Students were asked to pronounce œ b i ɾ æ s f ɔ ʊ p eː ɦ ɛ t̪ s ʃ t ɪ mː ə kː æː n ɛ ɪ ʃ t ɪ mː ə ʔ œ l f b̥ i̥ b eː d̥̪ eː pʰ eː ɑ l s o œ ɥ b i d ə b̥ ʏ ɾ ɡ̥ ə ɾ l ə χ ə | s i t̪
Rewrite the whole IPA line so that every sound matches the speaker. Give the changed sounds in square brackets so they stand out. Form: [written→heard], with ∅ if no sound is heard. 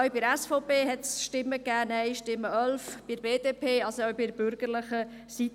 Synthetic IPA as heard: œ b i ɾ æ s f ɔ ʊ p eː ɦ ɛ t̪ s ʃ t ɪ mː ə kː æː n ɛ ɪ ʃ t ɪ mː ə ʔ œ l f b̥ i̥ b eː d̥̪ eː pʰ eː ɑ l s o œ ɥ b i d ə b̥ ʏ ɾ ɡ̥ ə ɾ l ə χ ə | s i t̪